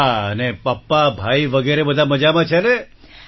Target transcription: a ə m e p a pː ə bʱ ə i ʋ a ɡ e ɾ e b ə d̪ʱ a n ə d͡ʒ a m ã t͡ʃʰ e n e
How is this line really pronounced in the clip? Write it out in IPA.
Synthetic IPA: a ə n e p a pː a bʱ a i ʋ ə ɡ e ɾ e b ə d̪ʱ a m ə d͡ʒ a m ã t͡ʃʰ e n e